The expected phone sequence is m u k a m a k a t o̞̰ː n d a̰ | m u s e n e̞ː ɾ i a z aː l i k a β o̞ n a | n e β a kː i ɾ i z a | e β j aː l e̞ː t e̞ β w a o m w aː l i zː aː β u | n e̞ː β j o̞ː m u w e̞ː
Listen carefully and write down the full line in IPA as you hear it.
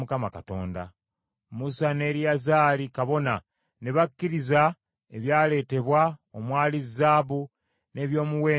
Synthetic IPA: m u k a m a k a t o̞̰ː n d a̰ | m u s a n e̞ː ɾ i a z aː l i k a β o̞ n a | n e β a kː i ɾ i z a | e β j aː l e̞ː t e̞ β w a o m w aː l i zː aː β u | n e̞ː β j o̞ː m u w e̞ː